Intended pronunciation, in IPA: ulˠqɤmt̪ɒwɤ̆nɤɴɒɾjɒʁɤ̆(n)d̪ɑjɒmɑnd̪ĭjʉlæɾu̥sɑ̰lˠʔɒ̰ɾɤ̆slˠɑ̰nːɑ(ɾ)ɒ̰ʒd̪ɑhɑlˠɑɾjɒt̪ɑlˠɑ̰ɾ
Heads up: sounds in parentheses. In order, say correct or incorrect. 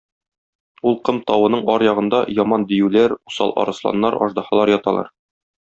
correct, correct

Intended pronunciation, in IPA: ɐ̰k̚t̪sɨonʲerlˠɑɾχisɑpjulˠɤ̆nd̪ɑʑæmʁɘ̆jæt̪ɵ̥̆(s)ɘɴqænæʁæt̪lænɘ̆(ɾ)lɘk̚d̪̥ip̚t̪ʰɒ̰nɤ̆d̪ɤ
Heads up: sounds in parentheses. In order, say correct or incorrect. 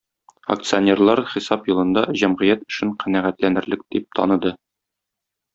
incorrect, correct

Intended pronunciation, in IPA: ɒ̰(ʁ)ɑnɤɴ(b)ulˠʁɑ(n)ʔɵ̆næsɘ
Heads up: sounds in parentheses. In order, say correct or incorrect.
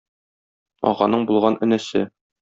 correct, correct, correct

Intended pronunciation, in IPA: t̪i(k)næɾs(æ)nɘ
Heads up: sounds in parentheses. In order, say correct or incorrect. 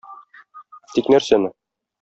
correct, correct

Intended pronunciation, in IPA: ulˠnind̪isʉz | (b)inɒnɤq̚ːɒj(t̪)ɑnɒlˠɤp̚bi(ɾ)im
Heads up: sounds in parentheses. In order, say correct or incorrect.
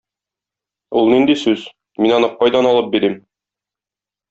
incorrect, incorrect, correct

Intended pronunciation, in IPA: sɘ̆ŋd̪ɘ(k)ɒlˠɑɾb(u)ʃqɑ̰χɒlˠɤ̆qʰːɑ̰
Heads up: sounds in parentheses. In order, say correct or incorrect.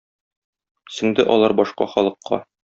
incorrect, incorrect

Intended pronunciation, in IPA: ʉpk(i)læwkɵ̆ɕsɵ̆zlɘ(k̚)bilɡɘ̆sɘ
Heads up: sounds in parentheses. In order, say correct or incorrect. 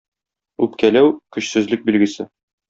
incorrect, correct

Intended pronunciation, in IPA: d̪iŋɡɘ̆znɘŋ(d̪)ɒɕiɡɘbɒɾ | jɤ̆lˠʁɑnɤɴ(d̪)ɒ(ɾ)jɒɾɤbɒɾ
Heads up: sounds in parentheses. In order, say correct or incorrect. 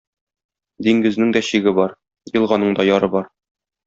correct, correct, incorrect

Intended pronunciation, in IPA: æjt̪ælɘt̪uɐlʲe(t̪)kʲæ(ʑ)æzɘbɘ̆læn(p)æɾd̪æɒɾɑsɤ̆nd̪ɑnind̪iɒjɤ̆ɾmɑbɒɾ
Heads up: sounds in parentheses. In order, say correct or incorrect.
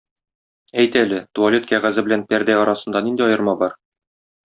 correct, incorrect, correct

